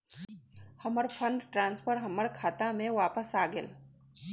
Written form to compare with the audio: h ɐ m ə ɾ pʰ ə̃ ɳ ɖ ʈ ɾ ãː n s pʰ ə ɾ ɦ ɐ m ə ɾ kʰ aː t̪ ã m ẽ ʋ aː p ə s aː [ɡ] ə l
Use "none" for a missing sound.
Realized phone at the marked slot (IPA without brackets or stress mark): ɡ